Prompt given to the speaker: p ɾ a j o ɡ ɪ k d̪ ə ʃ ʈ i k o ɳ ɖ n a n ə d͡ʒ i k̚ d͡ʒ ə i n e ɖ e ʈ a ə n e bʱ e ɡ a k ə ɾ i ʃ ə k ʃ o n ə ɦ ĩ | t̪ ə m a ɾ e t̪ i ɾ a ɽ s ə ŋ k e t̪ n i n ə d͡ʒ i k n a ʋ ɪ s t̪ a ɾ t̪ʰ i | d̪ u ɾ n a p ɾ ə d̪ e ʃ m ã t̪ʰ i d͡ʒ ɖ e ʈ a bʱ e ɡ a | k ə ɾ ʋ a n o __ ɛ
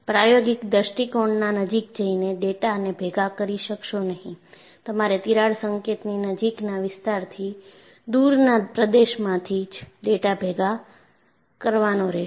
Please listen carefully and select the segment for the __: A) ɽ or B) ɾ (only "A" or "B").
B